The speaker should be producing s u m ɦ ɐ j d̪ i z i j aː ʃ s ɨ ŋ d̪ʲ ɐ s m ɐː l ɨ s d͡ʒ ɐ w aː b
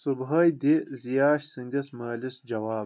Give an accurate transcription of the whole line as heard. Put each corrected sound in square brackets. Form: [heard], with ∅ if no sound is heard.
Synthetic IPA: s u [b] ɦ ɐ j d̪ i z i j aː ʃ s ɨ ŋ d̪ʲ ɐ s m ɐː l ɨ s d͡ʒ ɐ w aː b